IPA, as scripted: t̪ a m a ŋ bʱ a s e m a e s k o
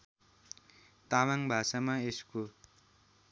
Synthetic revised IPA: t̪ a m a ŋ bʱ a s a m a e s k o